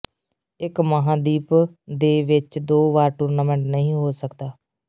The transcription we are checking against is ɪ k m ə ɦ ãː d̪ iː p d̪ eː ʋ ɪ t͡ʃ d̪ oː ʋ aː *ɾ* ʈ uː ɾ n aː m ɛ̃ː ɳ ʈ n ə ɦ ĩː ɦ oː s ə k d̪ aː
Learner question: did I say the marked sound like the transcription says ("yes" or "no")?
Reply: yes